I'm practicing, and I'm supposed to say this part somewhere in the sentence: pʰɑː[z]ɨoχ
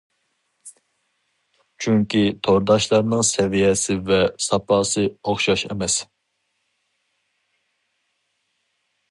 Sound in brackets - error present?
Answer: yes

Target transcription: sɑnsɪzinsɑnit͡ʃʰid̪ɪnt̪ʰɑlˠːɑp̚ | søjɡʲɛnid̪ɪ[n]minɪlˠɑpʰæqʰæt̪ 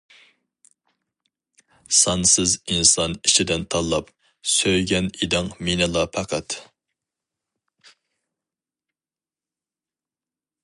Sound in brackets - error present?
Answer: yes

